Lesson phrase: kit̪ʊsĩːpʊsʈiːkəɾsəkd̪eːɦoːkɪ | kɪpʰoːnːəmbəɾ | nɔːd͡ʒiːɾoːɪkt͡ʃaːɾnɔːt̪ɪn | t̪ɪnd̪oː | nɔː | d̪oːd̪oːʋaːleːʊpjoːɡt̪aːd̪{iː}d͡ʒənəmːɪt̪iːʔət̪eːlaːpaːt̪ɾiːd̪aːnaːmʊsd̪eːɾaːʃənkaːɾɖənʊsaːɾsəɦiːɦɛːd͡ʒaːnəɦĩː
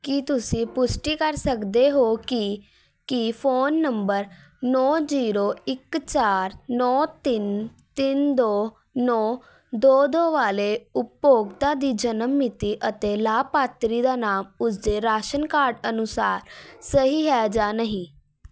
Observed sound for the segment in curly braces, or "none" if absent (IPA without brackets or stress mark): iː